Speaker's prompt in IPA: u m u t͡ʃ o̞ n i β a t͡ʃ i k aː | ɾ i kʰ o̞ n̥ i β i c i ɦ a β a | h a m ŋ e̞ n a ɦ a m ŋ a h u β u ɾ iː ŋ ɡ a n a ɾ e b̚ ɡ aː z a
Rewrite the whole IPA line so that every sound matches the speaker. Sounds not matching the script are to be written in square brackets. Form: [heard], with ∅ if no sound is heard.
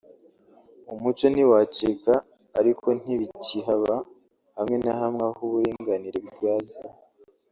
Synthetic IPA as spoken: u m u t͡ʃ o̞ n i [w] a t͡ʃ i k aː | ɾ i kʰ o̞ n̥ i β i c i ɦ a β a | h a m ŋ e̞ n a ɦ a m ŋ a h u β u ɾ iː ŋ ɡ a n [i] ɾ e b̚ ɡ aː z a